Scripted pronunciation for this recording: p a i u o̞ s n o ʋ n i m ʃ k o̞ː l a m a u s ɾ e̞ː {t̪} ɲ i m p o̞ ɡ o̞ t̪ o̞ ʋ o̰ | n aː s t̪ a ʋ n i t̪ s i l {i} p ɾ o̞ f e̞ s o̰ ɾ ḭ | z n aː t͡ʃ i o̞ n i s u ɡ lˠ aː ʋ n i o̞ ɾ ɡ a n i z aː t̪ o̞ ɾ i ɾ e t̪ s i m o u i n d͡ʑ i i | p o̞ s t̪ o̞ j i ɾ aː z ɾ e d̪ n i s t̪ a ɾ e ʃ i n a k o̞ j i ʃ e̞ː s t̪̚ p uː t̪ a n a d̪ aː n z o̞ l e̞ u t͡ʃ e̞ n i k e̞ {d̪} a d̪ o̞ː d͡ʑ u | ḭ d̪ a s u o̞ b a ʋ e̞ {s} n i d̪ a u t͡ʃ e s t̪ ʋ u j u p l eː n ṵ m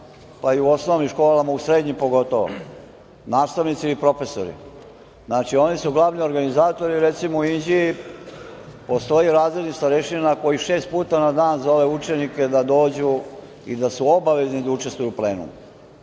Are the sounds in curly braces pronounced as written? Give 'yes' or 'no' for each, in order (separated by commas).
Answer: no, yes, yes, no